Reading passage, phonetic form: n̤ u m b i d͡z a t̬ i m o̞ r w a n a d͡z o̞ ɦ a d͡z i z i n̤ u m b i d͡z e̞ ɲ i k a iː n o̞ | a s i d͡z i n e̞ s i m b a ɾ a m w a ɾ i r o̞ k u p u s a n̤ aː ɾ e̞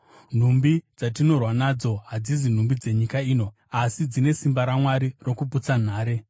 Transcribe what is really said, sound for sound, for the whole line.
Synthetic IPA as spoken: n̤ u m b i d͡z a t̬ i n o̞ r w a n a d͡z o̞ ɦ a d͡z i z i n̤ u m b i d͡z e̞ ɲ i k a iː n o̞ | a s i d͡z i n e̞ s i m b a ɾ a m w a ɾ i r o̞ k u p u t͡s a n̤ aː ɾ e̞

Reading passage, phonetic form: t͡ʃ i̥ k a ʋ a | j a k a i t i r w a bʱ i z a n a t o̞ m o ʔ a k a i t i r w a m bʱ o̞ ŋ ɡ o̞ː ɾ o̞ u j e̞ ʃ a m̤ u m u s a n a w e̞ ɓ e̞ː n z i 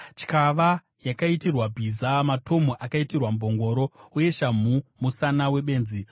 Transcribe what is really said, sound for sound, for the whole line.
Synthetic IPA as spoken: t͡ʃ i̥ k a ʋ a | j a k a i t i r w a bʱ i z a m a t o̞ m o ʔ a k a i t i r w a m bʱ o̞ ŋ ɡ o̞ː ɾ o̞ u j e̞ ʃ a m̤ u m u s a n a w e̞ ɓ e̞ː n z i

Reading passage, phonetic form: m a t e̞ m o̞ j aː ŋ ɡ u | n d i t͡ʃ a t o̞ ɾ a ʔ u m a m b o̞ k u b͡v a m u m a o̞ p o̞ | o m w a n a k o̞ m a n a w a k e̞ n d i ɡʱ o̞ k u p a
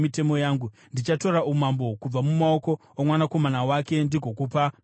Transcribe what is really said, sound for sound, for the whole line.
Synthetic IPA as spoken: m i t e̞ m o̞ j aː ŋ ɡ u | n d i t͡ʃ a t o̞ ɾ a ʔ u m a m b o̞ k u b͡v a m u m a o̞ k o̞ | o m w a n a k o̞ m a n a w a k e̞ n d i ɡʱ o̞ k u p a

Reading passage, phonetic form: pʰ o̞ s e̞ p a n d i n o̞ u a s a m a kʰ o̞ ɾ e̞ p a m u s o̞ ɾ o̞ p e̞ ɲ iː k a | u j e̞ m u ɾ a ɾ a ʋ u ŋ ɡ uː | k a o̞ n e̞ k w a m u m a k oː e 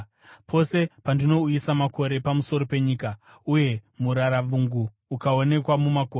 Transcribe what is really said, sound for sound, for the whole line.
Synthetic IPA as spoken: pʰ o̞ s e̞ p a n d i n o̞ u i s a m a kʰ o̞ ɾ e̞ p a m u s o̞ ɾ o̞ p e̞ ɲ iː k a | u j e̞ m u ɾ a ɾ a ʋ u ŋ ɡ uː | k a o̞ n e̞ k w a m u m a k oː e

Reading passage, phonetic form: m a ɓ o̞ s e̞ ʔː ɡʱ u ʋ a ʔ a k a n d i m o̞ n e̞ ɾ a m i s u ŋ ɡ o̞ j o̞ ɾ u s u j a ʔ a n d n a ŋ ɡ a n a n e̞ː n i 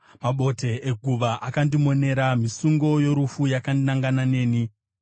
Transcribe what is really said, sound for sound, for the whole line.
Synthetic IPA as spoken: m a ɓ o̞ t e̞ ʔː ɡʱ u ʋ a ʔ a k a n d i m o̞ n e̞ ɾ a m i s u ŋ ɡ o̞ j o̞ ɾ u f u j a k a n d n a ŋ ɡ a n a n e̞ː n i

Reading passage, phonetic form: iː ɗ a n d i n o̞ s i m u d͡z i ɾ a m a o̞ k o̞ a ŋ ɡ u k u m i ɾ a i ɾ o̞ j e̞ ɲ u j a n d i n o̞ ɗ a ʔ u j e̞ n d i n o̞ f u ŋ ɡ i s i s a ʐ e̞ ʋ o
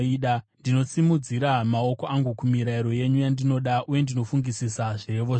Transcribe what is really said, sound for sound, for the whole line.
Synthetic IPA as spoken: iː ɗ a n d i n o̞ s i m u d͡z i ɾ a m a o̞ k o̞ a ŋ ɡ u k u m i ɾ a i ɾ o̞ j e̞ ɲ u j a n d i n o̞ ɗ a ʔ u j e̞ n d i n o̞ f u ŋ ɡ i s i s a ʐ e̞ ʋ o

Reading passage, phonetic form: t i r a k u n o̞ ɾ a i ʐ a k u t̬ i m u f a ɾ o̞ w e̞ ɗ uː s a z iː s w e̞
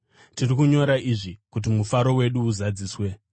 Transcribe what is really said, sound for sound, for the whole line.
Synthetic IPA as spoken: t i r i k u ɲ o̞ ɾ a i ʐ i k u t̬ i m u f a ɾ o̞ w e̞ ɗ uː z a d͡z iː s w e̞

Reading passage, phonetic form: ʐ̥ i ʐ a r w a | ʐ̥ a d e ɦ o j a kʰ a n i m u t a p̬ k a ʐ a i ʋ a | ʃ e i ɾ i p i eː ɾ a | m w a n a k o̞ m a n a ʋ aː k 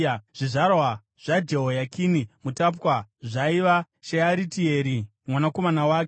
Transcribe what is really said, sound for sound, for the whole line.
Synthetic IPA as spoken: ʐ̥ i ʐ a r w a | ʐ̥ a d͡ʒ e ɦ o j a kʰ i n i m u t a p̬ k a ʐ a i ʋ a | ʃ e a ɾ i t i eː ɾ i | m w a n a k o̞ m a n a w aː k

